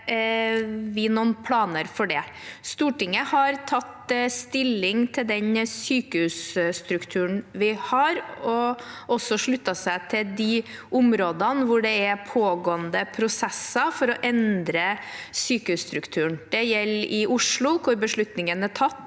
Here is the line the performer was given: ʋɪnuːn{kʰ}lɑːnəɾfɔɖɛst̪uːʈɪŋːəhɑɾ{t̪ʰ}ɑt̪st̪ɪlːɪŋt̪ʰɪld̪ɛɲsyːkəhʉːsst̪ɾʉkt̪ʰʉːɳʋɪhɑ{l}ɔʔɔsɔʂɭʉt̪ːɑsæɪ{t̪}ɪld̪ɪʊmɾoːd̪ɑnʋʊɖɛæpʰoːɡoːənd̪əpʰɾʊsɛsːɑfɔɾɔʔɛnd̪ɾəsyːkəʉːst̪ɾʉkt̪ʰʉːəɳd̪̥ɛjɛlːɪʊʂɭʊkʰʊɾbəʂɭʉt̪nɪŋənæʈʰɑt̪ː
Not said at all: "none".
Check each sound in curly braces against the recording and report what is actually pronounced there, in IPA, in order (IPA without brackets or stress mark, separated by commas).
pʰ, t̪ʰ, ɾ, t̪ʰ